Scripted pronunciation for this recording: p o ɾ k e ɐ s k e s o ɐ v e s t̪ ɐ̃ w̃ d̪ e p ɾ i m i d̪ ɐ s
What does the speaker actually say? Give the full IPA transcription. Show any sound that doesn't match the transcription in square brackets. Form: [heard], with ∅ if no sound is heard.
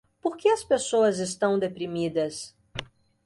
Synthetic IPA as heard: p o ɾ k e ɐ s [p] e s o ɐ [z] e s t̪ ɐ̃ w̃ d̪ e p ɾ i m i d̪ ɐ s